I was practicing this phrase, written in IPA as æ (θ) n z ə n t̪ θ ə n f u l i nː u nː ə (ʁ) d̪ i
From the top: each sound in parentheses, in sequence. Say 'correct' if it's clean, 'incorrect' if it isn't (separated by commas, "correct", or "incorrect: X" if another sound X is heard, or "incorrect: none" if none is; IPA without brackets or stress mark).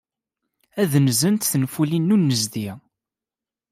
incorrect: ð, incorrect: z